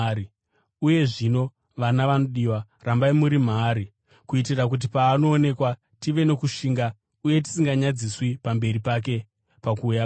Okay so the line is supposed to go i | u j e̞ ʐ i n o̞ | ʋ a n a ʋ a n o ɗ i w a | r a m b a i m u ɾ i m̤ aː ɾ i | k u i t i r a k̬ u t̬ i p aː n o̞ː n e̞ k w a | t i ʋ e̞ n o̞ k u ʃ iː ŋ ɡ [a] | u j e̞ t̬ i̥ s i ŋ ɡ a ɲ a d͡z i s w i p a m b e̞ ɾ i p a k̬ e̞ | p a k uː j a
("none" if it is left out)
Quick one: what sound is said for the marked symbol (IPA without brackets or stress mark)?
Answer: a